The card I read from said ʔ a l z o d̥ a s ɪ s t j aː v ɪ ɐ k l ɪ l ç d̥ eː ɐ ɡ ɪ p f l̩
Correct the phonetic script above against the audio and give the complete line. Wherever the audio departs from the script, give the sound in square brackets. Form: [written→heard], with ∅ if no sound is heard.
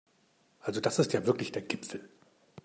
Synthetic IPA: ʔ a l z o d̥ a s ɪ s t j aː v ɪ ɐ k l ɪ [l→∅] ç d̥ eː ɐ ɡ ɪ p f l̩